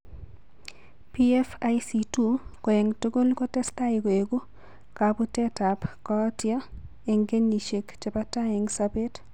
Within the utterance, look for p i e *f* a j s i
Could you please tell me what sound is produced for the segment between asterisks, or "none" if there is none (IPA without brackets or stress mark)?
f